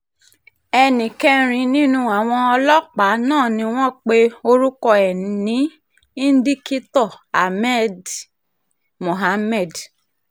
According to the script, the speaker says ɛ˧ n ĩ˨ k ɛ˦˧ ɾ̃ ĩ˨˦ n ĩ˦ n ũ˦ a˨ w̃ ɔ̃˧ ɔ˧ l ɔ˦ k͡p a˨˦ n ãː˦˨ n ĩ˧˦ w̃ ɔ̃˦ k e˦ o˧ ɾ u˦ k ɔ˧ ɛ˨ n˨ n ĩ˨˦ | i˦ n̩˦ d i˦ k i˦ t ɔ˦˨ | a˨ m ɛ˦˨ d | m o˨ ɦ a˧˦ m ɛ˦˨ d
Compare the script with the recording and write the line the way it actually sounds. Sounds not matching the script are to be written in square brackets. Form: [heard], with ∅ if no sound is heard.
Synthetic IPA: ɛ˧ n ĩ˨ k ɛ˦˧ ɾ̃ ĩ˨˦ n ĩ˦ n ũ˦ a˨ w̃ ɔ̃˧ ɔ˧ l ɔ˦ k͡p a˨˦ n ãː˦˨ n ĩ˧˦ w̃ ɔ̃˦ [k͡p] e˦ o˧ ɾ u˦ k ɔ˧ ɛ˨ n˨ n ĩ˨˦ | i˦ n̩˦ d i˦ k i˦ t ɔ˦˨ | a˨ m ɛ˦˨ d | m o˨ ɦ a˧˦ m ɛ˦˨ d

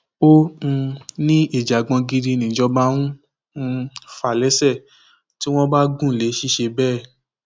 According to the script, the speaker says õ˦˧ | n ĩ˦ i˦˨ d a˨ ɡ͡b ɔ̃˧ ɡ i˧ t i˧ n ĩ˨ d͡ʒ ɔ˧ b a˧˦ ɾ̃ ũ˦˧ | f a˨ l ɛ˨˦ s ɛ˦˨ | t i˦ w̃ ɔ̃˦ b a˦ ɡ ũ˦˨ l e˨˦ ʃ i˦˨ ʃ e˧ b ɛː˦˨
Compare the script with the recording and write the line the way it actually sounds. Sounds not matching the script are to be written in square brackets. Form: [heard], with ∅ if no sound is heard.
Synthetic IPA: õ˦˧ | n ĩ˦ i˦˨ [d͡ʒ] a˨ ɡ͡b ɔ̃˧ ɡ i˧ [d] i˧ n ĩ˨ d͡ʒ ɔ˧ b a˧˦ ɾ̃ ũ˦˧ | f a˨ l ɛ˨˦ s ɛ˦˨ | t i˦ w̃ ɔ̃˦ b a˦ ɡ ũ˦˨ l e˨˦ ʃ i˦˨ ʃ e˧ b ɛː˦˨

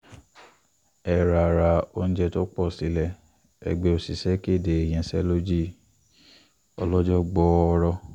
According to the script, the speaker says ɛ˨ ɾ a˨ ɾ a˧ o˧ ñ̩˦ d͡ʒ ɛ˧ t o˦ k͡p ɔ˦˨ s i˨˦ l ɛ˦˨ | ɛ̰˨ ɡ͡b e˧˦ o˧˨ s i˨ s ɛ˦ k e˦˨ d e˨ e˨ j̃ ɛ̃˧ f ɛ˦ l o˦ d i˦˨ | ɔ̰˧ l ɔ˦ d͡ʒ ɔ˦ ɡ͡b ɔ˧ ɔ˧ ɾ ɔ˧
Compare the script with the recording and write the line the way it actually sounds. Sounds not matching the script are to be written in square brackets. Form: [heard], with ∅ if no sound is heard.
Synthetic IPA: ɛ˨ ɾ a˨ ɾ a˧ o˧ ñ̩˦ d͡ʒ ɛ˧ t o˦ k͡p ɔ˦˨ s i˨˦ l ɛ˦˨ | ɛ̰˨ ɡ͡b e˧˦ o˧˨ s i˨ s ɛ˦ k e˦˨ d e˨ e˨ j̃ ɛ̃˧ [s] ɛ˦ l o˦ [d͡ʒ] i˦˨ | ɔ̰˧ l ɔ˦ d͡ʒ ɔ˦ ɡ͡b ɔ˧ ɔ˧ ɾ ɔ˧

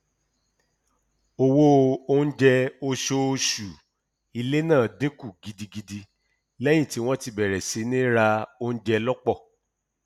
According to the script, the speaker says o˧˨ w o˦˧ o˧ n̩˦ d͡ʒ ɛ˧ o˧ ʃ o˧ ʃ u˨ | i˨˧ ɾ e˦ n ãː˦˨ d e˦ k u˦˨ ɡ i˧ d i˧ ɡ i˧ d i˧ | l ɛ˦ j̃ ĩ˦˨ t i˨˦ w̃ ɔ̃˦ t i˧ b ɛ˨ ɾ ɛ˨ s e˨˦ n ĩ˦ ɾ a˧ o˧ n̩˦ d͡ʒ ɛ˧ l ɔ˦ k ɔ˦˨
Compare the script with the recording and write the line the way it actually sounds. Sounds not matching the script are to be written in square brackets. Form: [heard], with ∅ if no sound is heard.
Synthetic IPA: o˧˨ w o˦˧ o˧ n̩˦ d͡ʒ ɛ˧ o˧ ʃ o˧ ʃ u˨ | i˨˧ [l] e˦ n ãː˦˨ d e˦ k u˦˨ ɡ i˧ d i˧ ɡ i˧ d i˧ | l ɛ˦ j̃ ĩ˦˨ t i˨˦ w̃ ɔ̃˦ t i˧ b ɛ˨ ɾ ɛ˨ s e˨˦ n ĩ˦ ɾ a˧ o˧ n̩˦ d͡ʒ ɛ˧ l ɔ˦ [k͡p] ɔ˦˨

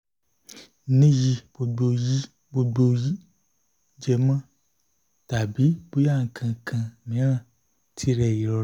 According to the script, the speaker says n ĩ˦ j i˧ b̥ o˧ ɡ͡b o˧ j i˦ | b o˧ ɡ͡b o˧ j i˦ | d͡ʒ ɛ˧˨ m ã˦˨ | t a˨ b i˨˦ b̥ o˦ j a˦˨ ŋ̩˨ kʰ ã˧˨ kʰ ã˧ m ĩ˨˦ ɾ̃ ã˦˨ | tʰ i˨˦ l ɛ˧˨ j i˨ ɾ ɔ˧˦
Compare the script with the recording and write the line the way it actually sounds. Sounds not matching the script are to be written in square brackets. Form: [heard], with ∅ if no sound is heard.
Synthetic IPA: n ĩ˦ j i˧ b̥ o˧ ɡ͡b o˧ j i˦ | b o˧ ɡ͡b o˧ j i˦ | d͡ʒ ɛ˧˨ m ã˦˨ | t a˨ b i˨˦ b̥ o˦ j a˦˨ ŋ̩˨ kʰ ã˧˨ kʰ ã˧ m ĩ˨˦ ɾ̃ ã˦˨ | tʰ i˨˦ [ɾ] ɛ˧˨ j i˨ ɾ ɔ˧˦

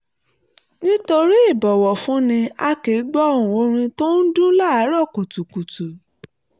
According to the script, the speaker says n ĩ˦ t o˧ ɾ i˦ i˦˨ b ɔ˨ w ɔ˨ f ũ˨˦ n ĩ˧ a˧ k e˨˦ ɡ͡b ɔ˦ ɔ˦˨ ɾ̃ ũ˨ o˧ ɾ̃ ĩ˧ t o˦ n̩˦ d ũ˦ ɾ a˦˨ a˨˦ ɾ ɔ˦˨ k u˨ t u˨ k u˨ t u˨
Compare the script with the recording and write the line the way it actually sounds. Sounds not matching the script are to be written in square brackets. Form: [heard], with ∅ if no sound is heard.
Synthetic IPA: n ĩ˦ t o˧ ɾ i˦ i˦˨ b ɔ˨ w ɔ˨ f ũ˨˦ n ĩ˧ a˧ k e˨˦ ɡ͡b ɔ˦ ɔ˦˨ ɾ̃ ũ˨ o˧ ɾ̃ ĩ˧ t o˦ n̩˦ d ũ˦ [l] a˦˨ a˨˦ ɾ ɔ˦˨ k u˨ t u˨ k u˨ t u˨

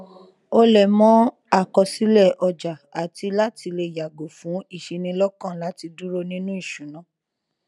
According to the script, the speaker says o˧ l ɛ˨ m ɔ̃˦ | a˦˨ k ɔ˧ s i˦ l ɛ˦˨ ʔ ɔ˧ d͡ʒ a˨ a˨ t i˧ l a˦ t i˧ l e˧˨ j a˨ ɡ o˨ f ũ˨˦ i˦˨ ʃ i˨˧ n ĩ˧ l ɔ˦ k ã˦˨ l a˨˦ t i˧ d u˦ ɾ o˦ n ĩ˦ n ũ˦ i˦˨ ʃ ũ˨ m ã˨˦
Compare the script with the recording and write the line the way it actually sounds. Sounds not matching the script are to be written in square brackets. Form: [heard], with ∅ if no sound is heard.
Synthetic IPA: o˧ l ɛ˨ m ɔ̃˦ | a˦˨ k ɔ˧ s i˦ l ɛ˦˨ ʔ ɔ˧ d͡ʒ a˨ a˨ t i˧ l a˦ t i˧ l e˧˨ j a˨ ɡ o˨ f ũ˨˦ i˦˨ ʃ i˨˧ n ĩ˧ l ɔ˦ k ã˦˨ l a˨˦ t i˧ d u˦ ɾ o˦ n ĩ˦ n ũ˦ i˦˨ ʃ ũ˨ [n] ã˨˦

